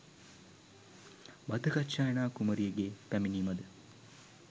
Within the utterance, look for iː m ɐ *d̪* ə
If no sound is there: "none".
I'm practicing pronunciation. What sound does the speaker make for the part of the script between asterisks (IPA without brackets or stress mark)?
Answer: d̪